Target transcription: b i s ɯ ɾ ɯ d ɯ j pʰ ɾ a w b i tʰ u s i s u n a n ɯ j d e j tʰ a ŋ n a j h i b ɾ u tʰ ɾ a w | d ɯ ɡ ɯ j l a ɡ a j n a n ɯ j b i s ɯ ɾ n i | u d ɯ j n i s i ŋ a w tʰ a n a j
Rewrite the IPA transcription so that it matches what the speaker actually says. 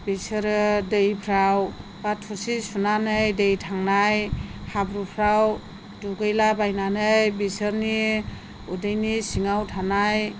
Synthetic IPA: b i s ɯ ɾ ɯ d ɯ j pʰ ɾ a w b a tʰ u s i s u n a n ɯ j d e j tʰ a ŋ n a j h a b ɾ u pʰ ɾ a w | d u ɡ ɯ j l a b a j n a n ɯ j b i s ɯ ɾ n i | u d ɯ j n i s i ŋ a w tʰ a n a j